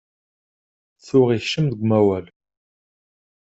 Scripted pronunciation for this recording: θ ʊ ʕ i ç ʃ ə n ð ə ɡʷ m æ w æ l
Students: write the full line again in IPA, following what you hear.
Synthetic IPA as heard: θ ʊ ʁ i ç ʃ ə m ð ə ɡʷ m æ w æ l